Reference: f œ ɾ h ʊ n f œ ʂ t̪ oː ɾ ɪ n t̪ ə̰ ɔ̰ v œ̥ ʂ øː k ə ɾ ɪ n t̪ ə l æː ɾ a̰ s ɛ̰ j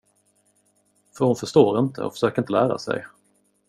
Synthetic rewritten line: f œ ɾ h ʊ n f œ ʂ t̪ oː ɾ ɪ n t̪ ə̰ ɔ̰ f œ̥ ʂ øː k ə ɾ ɪ n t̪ ə l æː ɾ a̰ s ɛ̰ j